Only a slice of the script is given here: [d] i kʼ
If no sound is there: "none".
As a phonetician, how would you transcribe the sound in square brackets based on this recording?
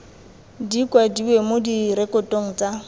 d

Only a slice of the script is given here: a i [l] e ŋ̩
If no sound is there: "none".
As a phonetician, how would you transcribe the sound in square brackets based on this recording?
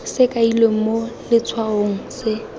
l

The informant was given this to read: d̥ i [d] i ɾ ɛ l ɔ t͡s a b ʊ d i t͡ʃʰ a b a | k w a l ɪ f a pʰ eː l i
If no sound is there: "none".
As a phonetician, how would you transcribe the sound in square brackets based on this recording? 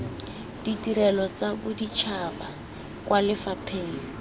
t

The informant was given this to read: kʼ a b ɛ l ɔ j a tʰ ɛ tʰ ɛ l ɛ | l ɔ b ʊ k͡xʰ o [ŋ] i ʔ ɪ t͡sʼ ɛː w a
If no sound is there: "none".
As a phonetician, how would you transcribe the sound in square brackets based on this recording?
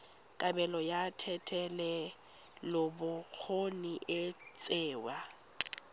n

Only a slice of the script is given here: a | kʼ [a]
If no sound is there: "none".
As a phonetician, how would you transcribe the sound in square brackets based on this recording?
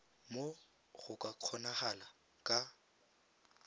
a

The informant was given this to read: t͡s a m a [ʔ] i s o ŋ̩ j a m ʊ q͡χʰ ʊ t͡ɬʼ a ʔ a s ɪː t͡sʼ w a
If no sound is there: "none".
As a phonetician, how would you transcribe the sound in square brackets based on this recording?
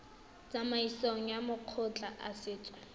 none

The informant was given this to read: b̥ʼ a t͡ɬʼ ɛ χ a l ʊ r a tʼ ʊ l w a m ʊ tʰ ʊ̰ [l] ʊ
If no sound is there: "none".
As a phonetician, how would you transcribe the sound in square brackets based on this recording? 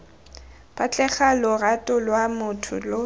l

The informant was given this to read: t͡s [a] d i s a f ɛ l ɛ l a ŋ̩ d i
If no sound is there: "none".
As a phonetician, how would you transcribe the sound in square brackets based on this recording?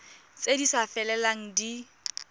e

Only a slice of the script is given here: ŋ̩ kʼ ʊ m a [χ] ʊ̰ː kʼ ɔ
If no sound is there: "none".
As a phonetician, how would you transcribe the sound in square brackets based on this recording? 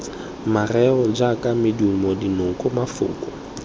f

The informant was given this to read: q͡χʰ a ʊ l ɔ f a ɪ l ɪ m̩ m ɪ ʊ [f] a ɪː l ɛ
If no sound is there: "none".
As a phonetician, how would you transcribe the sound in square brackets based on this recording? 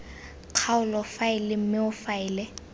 f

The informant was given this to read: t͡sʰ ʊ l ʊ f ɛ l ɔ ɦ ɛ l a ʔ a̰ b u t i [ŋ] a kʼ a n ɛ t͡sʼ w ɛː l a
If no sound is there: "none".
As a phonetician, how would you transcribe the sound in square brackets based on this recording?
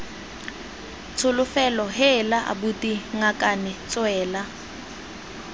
ŋ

